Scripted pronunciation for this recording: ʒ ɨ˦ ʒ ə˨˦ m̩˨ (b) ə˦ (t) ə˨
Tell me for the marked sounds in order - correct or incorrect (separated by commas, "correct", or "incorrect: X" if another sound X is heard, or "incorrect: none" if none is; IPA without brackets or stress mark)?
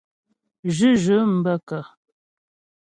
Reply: correct, incorrect: k